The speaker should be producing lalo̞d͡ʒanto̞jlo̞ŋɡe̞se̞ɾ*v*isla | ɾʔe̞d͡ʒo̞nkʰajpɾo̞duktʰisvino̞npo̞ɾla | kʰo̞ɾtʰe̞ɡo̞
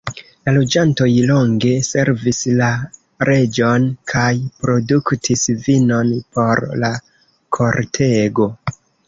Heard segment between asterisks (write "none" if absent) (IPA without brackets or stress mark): v